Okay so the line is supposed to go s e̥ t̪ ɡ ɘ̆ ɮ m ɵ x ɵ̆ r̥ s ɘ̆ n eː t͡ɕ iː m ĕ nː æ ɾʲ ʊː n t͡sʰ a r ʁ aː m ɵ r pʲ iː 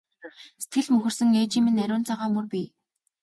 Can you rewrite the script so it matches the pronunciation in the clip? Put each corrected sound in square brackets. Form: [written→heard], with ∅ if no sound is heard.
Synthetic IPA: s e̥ t̪ ɡ ɘ̆ ɮ m ɵ x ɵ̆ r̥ s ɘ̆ [n→ŋ] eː t͡ɕ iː m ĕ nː æ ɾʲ ʊː n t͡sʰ a [r→∅] ʁ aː m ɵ r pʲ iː